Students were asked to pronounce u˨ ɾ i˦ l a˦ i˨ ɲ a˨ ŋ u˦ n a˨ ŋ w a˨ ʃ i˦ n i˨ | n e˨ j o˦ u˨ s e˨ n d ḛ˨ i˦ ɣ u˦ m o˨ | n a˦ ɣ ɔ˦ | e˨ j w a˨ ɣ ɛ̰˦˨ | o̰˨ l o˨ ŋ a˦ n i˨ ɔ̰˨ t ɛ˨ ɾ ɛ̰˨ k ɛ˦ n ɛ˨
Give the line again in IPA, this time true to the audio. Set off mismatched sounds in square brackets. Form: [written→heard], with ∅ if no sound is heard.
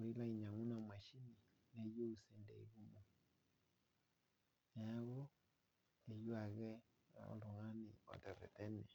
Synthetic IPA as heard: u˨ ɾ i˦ l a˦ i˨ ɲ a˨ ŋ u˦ n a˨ [ŋ→m] w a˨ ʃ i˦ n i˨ | n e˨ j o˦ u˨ s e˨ n d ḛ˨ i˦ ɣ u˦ m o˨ | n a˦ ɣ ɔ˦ | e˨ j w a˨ ɣ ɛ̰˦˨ | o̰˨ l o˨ ŋ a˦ n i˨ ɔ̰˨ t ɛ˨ ɾ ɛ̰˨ [k→t] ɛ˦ n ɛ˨

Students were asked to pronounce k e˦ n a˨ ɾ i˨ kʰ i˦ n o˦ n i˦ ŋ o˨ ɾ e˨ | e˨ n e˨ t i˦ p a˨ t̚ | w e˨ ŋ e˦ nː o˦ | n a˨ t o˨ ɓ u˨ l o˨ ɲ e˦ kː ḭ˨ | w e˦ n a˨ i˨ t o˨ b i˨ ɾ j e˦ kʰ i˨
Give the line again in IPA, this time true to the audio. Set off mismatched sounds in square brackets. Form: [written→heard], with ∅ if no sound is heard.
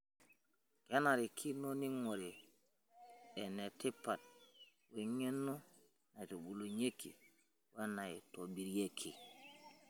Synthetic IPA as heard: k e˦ n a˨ ɾ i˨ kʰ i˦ n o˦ n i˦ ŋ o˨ ɾ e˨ | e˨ n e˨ t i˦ p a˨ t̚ | w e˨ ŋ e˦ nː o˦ | n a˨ t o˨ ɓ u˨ l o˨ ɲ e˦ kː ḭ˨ | w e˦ n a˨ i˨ t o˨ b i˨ ɾ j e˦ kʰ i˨

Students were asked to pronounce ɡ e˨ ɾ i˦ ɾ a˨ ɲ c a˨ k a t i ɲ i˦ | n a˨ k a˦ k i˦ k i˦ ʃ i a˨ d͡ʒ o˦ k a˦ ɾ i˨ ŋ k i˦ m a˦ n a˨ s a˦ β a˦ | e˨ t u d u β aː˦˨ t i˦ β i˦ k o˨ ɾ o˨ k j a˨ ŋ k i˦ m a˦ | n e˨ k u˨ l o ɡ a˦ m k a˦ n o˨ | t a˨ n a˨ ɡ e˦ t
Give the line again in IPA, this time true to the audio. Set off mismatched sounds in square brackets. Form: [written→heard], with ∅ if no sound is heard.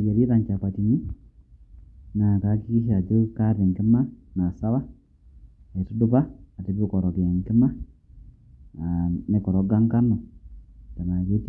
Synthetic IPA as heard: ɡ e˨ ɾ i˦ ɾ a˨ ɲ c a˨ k a t i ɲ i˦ | n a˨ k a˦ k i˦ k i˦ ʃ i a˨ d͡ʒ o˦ k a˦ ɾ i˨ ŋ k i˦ m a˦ n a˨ s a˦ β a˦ | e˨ t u d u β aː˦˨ t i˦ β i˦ k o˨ ɾ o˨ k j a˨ ŋ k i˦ m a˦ | n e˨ k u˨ [l→ɾ] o ɡ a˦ [m→ŋ] k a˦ n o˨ | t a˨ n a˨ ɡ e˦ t

